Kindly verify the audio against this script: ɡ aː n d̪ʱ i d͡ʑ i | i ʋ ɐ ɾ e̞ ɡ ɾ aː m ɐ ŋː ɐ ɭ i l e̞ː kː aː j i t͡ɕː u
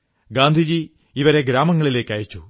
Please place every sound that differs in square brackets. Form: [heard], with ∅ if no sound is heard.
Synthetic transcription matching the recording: ɡ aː n d̪ʱ i d͡ʑ i | i ʋ ɐ ɾ e̞ ɡ ɾ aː m ɐ ŋː ɐ ɭ i l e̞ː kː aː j i t͡ɕː u